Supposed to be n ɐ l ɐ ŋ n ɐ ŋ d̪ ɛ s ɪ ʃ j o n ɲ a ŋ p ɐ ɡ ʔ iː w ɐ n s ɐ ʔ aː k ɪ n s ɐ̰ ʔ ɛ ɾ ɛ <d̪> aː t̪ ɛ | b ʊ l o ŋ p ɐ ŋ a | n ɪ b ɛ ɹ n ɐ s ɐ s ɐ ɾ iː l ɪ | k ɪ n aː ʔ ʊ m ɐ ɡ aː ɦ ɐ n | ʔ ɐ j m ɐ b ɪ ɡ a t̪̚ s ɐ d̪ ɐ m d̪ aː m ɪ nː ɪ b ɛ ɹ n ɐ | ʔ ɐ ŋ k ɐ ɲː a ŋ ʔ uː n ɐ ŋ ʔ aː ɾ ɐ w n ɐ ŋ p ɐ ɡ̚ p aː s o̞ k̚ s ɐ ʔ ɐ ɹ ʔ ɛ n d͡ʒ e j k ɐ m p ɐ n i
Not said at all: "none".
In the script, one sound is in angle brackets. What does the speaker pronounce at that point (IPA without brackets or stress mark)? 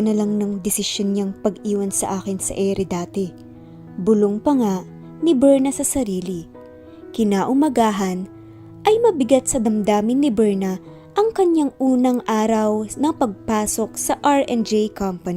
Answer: d̪